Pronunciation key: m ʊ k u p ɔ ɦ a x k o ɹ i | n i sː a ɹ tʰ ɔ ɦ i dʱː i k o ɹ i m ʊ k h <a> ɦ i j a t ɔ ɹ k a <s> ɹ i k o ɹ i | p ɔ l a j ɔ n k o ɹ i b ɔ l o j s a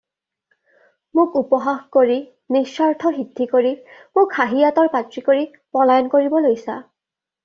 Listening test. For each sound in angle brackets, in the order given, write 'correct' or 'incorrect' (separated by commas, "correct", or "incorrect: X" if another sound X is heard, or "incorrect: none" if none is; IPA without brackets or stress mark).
correct, incorrect: t